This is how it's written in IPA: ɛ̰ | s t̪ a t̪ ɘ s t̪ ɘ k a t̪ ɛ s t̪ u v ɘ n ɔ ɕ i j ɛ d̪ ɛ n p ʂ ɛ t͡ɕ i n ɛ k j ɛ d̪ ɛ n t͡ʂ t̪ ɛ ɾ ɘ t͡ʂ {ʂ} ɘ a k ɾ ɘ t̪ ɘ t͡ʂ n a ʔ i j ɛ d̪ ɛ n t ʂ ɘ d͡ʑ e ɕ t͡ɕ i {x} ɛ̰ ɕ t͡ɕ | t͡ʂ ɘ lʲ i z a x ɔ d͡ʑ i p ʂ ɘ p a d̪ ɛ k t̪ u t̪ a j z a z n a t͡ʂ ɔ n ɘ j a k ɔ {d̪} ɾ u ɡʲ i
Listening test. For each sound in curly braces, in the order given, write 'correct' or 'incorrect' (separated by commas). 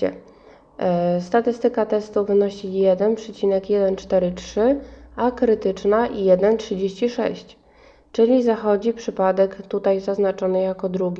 correct, incorrect, correct